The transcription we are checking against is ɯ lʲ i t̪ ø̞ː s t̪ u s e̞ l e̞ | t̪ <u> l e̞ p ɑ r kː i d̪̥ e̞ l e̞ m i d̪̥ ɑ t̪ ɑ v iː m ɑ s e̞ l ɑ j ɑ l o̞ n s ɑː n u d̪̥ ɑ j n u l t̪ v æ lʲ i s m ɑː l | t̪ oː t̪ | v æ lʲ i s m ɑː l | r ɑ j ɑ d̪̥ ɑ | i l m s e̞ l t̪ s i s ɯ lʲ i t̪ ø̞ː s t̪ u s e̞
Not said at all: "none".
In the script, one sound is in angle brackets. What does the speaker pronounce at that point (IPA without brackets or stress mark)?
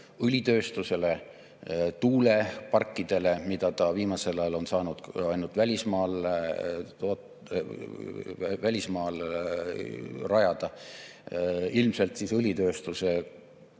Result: uː